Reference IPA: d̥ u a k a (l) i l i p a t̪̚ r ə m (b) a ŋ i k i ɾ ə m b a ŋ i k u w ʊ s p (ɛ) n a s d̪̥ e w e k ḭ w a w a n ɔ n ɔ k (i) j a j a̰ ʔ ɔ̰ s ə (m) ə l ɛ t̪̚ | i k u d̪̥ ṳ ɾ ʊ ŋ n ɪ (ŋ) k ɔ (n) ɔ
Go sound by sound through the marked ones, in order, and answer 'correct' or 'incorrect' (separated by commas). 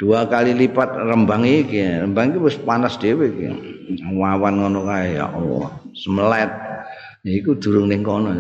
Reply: correct, correct, incorrect, incorrect, correct, correct, correct